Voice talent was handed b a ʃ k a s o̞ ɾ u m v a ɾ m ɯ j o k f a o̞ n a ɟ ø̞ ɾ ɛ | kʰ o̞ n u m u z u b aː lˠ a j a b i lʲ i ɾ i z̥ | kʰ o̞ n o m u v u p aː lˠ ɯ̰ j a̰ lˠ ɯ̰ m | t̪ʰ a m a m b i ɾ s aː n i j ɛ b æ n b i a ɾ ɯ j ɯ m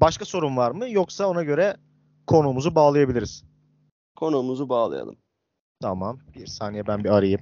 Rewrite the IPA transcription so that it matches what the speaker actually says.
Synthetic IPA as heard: b a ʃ k a s o̞ ɾ u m v a ɾ m ɯ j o k s a o̞ n a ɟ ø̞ ɾ ɛ | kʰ o̞ n u m u z u b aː lˠ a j a b i lʲ i ɾ i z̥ | kʰ o̞ n u m u z u b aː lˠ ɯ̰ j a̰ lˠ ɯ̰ m | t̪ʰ a m a m b i ɾ s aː n i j ɛ b æ n b i a ɾ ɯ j ɯ m